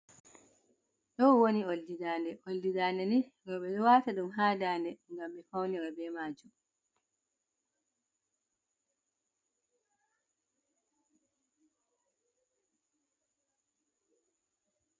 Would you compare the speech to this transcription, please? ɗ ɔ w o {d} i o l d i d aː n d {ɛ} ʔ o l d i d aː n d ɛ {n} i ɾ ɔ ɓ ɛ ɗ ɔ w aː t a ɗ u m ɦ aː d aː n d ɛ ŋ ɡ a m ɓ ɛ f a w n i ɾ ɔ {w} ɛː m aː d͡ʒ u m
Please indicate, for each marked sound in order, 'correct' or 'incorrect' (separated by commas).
incorrect, correct, correct, incorrect